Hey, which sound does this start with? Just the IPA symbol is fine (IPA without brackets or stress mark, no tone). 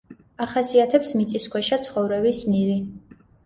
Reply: a